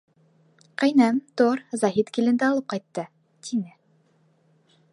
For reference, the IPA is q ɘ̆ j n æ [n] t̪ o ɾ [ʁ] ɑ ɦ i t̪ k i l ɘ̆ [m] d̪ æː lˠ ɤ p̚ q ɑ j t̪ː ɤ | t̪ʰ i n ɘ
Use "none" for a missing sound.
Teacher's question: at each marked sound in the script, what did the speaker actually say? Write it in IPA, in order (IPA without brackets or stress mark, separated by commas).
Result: m, z, n